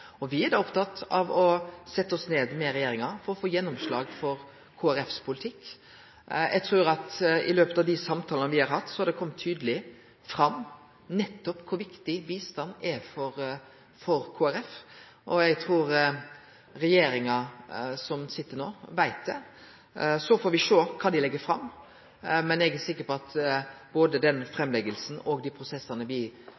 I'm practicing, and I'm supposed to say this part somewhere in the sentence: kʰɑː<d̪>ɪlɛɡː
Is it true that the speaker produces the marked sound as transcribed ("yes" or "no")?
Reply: yes